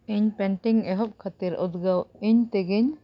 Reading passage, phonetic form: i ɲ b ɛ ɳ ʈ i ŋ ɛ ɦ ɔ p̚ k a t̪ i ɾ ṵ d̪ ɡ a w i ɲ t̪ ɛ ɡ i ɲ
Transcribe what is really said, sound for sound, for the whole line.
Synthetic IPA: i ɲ p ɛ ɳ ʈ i ŋ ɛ ɦ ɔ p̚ kʰ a t̪ i ɾ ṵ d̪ ɡ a w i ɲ t̪ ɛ ɡ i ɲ